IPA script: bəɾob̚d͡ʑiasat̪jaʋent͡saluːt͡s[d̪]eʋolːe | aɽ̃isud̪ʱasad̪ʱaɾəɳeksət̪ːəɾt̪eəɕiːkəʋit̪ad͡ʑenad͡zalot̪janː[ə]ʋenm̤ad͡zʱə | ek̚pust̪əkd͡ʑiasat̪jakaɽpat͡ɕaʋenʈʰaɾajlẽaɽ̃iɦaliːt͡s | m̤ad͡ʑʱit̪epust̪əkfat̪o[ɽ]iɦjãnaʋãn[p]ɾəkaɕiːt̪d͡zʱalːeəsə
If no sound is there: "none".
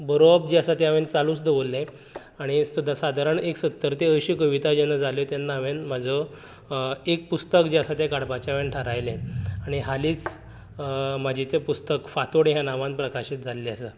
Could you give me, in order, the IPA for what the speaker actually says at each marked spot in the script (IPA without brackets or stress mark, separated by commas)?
d̪, a, ɽ, p